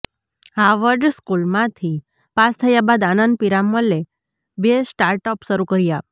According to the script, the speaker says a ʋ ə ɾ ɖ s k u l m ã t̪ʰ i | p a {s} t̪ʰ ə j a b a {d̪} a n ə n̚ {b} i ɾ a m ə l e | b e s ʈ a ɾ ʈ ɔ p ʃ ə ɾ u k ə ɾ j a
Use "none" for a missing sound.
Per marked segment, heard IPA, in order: s, d̪, p

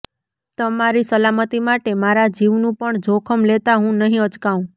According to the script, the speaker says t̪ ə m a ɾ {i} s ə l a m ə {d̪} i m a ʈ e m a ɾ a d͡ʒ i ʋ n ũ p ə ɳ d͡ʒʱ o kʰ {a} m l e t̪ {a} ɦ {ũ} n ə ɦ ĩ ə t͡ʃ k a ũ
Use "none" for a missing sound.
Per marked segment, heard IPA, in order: i, t̪, ə, a, ũ

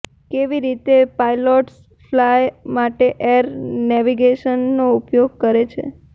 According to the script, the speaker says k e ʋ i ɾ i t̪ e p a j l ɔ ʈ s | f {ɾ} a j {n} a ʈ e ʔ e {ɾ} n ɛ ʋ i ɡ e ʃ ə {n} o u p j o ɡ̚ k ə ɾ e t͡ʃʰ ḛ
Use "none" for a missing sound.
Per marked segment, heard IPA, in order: l, m, ɾ, nː

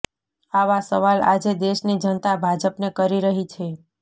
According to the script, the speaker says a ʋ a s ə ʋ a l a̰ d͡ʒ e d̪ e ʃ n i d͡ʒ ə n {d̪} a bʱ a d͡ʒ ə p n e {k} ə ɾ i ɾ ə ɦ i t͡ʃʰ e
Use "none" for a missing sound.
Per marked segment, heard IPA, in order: t̪, k

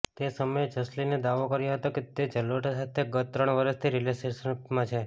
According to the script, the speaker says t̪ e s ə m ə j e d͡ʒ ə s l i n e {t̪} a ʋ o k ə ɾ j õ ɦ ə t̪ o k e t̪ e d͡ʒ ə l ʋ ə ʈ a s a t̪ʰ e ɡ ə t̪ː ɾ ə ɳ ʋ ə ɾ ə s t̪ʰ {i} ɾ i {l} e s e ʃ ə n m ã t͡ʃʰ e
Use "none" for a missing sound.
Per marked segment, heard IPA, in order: d̪, i, l

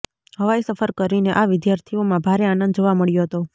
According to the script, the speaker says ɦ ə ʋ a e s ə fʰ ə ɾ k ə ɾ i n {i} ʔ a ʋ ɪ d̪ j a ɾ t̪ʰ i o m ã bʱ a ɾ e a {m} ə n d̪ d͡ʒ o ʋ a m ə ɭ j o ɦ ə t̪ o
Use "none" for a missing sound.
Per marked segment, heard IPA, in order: e, n

